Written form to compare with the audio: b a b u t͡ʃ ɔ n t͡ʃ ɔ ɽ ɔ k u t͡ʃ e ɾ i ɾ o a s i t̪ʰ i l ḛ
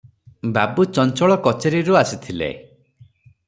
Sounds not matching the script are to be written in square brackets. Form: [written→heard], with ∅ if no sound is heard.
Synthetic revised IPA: b a b u t͡ʃ ɔ n t͡ʃ ɔ [ɽ→ɭ] ɔ k [u→ɔ] t͡ʃ e ɾ i ɾ [o→u] a s i t̪ʰ i l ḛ